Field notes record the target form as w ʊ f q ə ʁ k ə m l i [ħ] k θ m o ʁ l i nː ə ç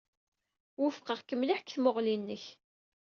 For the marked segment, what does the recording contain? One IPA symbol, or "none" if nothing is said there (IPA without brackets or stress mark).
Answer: ħ